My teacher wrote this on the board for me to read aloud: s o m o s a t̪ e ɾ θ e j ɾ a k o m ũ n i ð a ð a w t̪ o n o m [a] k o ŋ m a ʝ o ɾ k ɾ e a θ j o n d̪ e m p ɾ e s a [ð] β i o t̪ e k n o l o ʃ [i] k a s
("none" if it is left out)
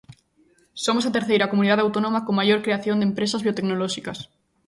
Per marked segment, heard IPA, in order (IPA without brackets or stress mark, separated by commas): a, z, i